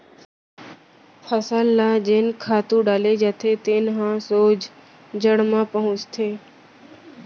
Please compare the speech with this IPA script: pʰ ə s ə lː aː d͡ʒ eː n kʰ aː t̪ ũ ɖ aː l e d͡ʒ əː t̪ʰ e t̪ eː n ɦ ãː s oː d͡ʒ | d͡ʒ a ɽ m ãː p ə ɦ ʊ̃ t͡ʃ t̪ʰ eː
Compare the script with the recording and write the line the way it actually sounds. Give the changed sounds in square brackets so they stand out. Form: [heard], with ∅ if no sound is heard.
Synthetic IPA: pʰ ə s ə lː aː d͡ʒ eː n kʰ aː t̪ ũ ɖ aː l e d͡ʒ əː t̪ʰ e t̪ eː n ɦ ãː s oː d͡ʒ | d͡ʒ [ə] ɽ m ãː p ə ɦ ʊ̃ t͡ʃ t̪ʰ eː

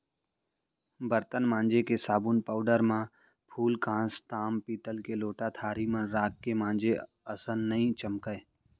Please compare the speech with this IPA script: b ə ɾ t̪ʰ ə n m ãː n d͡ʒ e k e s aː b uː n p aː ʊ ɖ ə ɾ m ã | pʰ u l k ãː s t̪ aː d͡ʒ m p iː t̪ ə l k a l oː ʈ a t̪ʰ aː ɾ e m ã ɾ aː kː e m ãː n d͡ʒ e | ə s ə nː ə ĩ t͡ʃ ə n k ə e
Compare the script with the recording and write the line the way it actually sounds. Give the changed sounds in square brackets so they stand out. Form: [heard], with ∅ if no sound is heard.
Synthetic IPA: b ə ɾ [t̪] ə n m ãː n d͡ʒ e k e s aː b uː n p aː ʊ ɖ ə ɾ m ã | pʰ [uː] l k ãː s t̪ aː [∅] m p iː t̪ ə l k [e] l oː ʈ a t̪ʰ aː ɾ [i] m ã ɾ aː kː e m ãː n d͡ʒ e | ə s ə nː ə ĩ t͡ʃ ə [m] k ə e

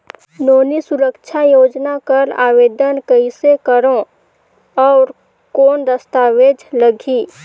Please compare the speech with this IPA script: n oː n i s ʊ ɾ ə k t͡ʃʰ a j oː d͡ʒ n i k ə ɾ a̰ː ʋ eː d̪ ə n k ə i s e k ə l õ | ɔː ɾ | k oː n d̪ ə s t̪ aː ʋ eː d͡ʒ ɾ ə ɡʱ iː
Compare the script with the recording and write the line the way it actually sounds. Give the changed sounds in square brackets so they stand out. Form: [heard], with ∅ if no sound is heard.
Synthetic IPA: n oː n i s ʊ ɾ ə k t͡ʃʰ a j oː d͡ʒ n [a] k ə ɾ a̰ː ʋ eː d̪ ə n k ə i s e k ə [ɾ] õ | ɔː ɾ | k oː n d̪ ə s t̪ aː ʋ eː d͡ʒ [l] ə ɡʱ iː

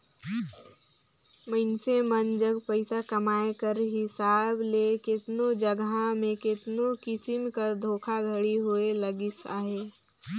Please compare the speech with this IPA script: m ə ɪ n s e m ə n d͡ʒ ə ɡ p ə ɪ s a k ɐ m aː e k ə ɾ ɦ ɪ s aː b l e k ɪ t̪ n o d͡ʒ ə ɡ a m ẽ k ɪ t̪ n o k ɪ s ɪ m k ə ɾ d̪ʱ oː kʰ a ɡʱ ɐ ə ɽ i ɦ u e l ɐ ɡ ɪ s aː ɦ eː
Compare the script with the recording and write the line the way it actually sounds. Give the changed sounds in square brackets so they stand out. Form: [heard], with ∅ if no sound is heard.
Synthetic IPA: m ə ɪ n s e m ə n d͡ʒ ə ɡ p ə ɪ s a k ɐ m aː e k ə ɾ ɦ ɪ s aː b l e k ɪ t̪ n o d͡ʒ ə ɡ a m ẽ k ɪ t̪ n o k ɪ s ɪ m k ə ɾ d̪ʱ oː kʰ a ɡʱ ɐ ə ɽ i ɦ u e l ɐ ɡ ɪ s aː ɦ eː

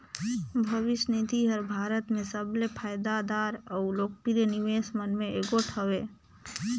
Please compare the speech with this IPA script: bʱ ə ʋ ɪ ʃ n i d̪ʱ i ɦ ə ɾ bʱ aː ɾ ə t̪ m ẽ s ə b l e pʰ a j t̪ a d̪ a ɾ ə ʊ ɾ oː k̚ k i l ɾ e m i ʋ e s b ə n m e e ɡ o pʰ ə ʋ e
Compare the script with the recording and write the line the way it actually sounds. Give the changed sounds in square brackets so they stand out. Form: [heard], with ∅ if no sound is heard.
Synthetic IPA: bʱ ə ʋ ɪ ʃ n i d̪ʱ i ɦ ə ɾ bʱ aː ɾ ə t̪ m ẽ s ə b l e pʰ a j [d̪] a d̪ a ɾ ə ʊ [l] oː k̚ [p] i [∅] ɾ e [n] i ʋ e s [m] ə n m e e ɡ o [ʈʰ] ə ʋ e

